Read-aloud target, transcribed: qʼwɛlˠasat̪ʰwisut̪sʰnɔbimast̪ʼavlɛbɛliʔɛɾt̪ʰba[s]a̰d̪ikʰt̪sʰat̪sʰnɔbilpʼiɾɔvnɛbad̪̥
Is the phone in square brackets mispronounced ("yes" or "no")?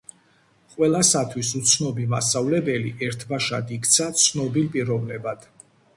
yes